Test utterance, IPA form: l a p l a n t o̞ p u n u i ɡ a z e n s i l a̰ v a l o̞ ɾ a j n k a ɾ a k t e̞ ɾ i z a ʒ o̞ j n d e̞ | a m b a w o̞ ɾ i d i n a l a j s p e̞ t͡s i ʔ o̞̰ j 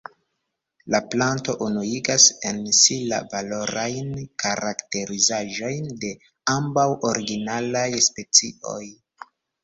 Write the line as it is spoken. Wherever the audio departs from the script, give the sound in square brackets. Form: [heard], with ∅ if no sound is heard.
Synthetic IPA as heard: l a p l a n t o̞ [ʔ] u n u i ɡ a [s] e n s i l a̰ v a l o̞ ɾ a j n k a ɾ a k t e̞ ɾ i z a ʒ o̞ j n d e̞ | a m b a w o̞ ɾ i [ɡ] i n a l a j s p e̞ t͡s i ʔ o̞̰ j